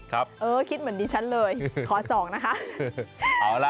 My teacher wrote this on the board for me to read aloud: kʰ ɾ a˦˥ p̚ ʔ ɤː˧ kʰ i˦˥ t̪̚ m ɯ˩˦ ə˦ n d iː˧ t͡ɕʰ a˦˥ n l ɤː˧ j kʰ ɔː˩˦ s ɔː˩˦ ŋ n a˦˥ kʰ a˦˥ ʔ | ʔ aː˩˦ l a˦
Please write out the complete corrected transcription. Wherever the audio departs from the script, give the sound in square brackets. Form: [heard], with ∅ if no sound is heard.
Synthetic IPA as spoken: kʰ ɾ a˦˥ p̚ ʔ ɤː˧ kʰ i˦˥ t̪̚ m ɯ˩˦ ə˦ n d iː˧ t͡ɕʰ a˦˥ n l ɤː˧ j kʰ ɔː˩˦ s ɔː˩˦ ŋ n a˦˥ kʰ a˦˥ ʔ | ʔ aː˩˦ l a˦